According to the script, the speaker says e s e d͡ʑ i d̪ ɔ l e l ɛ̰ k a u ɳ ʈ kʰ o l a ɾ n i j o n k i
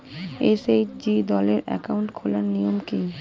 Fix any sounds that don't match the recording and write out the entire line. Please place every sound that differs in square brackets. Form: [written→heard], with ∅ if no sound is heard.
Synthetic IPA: e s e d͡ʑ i d̪ ɔ l e [l→ɾ] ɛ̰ k a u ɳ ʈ kʰ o l a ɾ n i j o [n→m] k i